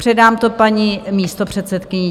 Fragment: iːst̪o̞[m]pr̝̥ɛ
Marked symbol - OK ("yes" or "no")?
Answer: no